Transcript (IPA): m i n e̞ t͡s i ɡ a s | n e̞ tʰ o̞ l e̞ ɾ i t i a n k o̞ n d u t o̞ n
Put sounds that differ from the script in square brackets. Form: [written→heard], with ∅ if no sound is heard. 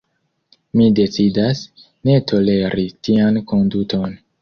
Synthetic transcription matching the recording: m i [n→d] e̞ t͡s i [ɡ→d] a s | n e̞ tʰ o̞ l e̞ ɾ i t i a n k o̞ n d u t o̞ n